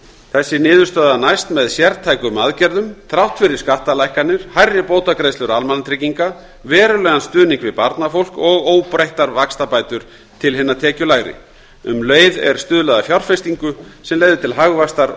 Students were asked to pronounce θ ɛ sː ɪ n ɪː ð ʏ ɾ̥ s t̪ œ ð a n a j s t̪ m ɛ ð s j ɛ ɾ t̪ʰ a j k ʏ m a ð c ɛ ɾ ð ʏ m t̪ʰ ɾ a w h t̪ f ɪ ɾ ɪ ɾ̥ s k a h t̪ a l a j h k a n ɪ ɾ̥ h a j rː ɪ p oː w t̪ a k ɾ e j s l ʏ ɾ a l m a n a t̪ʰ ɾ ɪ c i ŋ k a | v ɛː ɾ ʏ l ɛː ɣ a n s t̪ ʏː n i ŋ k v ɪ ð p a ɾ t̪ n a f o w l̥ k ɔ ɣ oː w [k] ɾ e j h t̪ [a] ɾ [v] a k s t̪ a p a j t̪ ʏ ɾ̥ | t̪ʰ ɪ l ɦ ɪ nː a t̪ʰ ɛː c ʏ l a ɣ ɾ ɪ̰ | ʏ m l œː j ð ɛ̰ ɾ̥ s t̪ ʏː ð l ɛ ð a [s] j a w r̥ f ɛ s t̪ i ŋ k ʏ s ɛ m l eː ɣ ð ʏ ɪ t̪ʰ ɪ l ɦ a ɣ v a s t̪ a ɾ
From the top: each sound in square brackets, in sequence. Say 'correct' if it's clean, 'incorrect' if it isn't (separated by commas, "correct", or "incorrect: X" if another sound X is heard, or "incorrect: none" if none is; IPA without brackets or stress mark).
incorrect: p, correct, correct, incorrect: f